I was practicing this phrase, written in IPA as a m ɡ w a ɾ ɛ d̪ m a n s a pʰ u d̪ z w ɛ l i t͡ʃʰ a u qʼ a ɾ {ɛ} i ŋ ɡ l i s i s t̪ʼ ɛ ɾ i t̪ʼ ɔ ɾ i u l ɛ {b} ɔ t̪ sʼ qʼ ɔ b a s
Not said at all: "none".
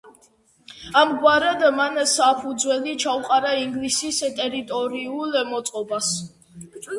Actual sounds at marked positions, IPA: a, m

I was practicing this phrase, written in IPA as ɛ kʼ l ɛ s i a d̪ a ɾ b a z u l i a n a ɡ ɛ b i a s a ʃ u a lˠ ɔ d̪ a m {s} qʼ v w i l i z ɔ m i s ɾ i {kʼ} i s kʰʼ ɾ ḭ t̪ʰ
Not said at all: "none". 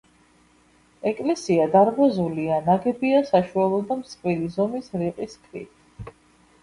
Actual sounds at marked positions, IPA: s, qʼ

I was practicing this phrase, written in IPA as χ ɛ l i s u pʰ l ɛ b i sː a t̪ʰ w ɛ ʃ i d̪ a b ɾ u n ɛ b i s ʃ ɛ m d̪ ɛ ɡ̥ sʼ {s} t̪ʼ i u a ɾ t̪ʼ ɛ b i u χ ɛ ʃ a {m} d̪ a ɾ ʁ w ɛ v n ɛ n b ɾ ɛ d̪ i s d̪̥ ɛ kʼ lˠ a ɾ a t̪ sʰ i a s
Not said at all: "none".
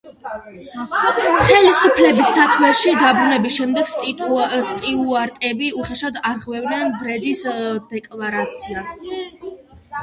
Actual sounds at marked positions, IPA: s, none

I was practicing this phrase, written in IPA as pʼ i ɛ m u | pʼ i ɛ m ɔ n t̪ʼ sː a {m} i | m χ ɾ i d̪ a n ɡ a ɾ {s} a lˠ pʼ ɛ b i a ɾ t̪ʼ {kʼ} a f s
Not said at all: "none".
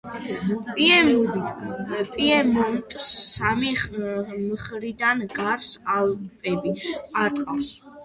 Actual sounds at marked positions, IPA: m, s, qʼ

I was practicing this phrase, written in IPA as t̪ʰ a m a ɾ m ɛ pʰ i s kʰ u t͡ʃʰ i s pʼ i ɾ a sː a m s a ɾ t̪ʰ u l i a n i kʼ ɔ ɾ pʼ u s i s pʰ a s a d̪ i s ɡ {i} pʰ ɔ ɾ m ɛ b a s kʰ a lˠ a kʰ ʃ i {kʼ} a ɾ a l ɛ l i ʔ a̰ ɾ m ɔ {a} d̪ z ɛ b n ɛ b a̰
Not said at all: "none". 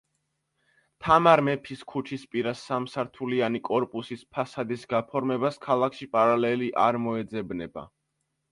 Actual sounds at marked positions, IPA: a, pʼ, ɛ

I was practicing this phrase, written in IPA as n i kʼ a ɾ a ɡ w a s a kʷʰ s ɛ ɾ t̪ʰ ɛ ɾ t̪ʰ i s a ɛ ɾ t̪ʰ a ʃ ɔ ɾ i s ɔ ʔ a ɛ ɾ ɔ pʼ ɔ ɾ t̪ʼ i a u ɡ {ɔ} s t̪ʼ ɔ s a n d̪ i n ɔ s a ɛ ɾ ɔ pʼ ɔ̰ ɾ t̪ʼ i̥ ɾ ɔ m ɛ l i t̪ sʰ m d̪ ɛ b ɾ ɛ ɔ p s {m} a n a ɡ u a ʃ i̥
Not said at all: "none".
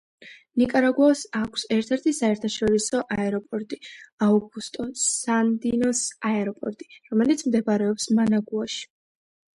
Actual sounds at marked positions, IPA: u, m

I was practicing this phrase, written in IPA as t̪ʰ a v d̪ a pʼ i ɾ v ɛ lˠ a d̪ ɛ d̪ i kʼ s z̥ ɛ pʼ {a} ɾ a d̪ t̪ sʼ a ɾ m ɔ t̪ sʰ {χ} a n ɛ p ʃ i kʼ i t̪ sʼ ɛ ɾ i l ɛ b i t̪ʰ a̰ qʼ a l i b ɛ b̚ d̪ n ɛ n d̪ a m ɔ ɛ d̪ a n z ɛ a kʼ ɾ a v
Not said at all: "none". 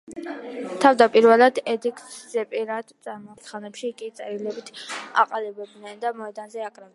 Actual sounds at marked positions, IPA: i, χ

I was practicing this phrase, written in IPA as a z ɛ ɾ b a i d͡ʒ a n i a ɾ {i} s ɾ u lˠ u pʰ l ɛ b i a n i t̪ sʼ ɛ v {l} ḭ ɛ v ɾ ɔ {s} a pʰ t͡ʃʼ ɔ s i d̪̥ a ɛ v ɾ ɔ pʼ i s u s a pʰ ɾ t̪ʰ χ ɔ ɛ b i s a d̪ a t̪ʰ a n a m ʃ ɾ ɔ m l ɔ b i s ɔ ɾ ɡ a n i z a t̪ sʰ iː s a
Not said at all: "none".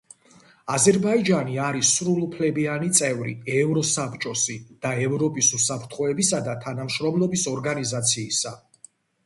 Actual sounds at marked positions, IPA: i, ɾ, s

